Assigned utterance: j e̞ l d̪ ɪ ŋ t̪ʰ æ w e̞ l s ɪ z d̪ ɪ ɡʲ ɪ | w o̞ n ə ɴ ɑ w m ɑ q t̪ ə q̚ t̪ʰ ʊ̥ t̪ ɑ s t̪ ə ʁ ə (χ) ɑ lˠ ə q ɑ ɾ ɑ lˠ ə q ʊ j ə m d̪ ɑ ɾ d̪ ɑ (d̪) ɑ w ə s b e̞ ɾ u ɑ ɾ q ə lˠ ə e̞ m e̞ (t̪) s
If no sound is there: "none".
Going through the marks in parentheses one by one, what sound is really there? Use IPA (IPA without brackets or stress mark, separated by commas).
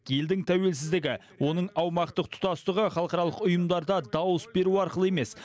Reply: χ, d̪, none